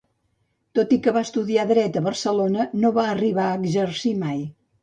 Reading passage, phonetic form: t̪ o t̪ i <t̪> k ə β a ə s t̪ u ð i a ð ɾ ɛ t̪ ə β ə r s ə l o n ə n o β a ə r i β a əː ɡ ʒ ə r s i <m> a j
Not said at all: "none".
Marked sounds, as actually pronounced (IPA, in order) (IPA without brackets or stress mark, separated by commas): none, m